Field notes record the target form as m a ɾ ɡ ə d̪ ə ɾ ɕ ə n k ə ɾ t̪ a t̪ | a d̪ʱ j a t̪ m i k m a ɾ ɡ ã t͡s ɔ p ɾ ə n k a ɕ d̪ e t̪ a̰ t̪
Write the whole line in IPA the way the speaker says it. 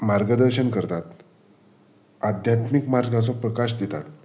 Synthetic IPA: m a ɾ ɡ ə d̪ ə ɾ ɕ ə n k ə ɾ t̪ a t̪ | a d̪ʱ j a t̪ m i k m a ɾ ɡ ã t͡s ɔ p ɾ ə k a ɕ d̪ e t̪ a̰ t̪